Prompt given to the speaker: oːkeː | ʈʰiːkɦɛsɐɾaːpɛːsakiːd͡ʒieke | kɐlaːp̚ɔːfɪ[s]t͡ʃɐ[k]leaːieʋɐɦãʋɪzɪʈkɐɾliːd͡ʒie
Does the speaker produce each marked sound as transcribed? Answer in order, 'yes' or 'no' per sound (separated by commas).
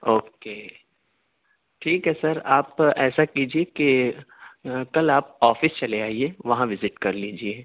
yes, no